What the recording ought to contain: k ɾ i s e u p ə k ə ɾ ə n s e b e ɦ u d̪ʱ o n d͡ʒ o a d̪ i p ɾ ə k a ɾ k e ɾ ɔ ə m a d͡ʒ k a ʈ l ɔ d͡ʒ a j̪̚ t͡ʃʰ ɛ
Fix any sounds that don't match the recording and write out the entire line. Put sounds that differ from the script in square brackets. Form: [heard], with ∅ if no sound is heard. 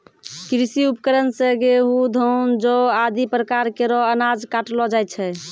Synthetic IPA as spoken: k ɾ i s [i] u p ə k ə ɾ ə n s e [ɡ] e ɦ u d̪ʱ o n d͡ʒ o a d̪ i p ɾ ə k a ɾ k e ɾ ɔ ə [n] a d͡ʒ k a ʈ l ɔ d͡ʒ a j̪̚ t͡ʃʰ ɛ